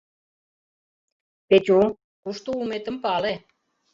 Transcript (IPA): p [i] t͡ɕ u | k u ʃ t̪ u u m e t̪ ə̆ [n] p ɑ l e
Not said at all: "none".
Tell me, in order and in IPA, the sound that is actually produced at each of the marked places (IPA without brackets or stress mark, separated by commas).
e, m